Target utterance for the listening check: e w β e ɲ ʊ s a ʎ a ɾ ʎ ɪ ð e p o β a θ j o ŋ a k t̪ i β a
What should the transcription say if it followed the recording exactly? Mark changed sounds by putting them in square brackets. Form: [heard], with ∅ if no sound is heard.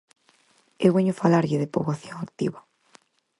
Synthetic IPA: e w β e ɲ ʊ [f] a [l] a ɾ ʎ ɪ ð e p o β a θ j o ŋ a k t̪ i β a